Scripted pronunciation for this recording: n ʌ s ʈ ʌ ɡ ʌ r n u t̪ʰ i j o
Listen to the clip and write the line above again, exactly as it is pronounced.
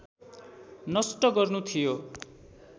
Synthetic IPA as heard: n ʌ s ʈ ʌ ɡ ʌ r n u t̪ʰ i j o